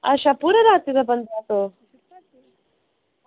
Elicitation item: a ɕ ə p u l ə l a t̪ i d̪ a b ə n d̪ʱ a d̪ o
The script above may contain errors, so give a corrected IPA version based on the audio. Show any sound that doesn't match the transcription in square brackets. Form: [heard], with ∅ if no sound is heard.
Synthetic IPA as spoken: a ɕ [a] p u [ɾ] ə [ɾ] a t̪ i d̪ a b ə n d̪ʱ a [t̪] o